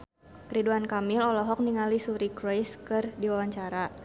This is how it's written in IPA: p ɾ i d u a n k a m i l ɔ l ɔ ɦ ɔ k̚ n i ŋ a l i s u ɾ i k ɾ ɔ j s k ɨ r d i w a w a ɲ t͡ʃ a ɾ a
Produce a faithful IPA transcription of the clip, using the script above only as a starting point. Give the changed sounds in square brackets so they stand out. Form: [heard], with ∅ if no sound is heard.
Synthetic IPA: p ɾ i d u a n k a m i l ɔ l ɔ ɦ ɔ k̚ n i ŋ a l i s u ɾ i k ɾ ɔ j s k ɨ r d i w a w a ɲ t͡ʃ a ɾ a